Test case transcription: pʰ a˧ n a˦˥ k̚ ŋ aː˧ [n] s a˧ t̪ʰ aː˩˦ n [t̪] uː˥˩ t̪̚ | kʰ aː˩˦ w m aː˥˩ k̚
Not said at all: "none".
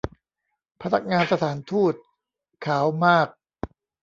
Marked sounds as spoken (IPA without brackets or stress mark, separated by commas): n, t̪ʰ